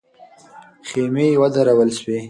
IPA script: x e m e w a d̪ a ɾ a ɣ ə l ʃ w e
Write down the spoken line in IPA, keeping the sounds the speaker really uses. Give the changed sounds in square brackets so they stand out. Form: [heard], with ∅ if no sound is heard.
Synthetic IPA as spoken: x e m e w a d̪ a ɾ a [w] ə l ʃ w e